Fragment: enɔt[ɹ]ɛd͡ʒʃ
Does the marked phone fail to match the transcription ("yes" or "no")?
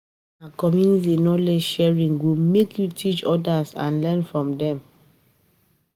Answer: yes